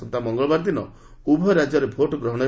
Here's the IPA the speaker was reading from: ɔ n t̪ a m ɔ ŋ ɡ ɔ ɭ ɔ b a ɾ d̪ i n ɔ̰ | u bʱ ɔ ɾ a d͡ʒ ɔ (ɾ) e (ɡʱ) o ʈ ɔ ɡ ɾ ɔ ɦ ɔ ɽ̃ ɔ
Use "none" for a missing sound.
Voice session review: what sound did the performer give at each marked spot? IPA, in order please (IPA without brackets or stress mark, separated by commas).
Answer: ɾ, bʱ